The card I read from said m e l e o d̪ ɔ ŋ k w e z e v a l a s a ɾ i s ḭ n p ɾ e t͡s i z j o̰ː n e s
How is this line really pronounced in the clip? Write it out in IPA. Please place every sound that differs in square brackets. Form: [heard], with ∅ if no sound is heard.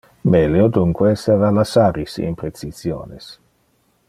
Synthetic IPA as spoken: m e l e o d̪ [u] ŋ k w e [s] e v a l a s a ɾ i s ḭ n p ɾ e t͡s i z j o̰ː n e s